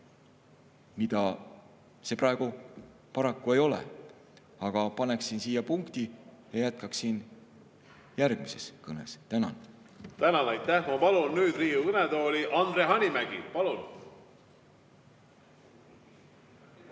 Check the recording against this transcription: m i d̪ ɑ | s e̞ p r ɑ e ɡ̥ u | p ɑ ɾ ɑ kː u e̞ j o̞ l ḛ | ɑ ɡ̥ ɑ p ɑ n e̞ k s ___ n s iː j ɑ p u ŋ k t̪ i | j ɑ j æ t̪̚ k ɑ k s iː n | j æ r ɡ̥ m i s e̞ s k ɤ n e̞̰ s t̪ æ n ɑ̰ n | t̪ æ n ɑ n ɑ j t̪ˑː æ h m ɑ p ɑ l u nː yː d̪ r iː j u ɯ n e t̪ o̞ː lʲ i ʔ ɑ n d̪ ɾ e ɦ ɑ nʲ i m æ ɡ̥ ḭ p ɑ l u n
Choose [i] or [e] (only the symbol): i